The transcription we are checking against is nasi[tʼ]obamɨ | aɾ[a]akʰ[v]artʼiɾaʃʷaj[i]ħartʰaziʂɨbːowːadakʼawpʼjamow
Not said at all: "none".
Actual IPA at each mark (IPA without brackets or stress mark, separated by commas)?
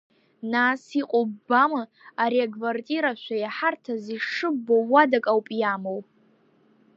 qʼ, i, v, a